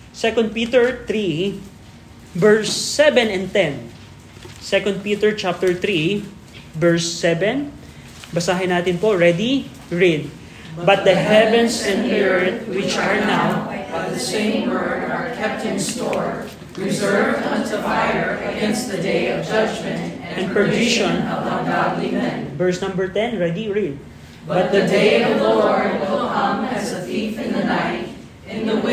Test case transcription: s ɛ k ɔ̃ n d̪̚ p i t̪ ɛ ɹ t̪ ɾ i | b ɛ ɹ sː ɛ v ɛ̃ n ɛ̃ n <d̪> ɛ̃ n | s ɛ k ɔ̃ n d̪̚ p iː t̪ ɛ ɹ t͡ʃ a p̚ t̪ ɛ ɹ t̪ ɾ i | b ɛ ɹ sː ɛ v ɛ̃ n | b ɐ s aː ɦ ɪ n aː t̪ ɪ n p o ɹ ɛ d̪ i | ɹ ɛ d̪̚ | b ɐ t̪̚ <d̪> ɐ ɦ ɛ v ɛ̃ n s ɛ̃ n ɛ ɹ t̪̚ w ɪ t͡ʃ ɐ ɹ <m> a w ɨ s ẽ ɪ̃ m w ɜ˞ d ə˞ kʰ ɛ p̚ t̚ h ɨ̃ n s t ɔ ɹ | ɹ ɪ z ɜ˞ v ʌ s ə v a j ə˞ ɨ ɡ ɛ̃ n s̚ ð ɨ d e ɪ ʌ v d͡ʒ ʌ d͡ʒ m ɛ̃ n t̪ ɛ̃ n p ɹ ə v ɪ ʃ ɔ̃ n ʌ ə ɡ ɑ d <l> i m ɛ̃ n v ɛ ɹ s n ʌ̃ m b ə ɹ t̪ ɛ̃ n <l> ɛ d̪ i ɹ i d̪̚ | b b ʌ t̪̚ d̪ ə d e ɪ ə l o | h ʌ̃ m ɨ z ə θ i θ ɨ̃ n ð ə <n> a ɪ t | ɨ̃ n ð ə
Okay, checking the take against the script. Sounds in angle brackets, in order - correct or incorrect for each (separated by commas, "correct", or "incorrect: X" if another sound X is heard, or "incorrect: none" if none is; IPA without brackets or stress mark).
incorrect: t̪, correct, incorrect: n, correct, incorrect: ɹ, correct